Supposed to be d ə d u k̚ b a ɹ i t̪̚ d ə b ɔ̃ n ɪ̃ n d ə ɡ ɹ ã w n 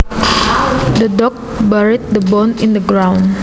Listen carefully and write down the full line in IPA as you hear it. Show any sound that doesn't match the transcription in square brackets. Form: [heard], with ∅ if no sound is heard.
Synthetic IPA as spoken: d ə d [ɔ] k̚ b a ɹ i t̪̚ d ə b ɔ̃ n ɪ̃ n d ə ɡ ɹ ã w n